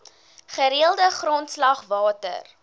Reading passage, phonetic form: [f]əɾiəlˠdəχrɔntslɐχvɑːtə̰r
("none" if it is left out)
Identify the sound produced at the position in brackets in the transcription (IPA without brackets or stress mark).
χ